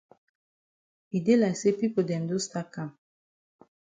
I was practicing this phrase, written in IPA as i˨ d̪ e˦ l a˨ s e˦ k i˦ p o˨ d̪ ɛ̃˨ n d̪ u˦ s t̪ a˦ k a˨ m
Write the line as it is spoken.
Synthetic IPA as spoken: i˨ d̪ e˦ l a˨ s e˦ p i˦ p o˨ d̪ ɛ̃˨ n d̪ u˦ s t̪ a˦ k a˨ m